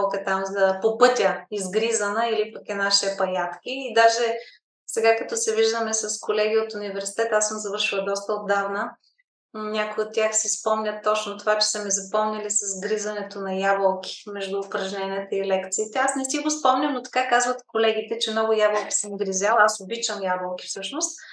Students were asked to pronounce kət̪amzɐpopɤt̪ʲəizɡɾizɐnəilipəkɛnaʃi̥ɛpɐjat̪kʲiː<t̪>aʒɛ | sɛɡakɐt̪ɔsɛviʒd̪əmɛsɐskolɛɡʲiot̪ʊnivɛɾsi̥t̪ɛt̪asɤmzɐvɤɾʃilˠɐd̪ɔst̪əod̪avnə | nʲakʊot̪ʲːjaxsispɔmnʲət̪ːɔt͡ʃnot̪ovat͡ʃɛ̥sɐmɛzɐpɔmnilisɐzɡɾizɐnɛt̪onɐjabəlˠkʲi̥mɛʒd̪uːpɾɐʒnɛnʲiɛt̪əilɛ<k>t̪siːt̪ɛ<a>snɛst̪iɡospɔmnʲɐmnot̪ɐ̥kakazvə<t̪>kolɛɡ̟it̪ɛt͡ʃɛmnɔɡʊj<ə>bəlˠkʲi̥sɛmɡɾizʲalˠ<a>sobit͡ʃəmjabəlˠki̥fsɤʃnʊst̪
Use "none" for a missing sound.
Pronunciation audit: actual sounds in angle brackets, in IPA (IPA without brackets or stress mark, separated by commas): d̪, k, a, t̪, a, a